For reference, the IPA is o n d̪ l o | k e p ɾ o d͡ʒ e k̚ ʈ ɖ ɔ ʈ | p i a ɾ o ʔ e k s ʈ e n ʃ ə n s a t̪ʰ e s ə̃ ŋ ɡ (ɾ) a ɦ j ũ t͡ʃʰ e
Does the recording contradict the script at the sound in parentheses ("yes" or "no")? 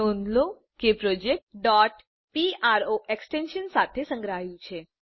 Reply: no